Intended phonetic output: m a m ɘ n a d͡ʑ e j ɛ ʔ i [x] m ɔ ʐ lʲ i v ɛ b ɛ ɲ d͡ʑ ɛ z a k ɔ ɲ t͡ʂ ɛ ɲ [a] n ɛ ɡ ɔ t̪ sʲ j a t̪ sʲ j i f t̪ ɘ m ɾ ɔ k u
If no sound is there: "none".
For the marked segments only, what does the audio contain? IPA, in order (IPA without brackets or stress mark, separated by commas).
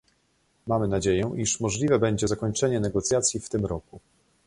ʂ, ɛ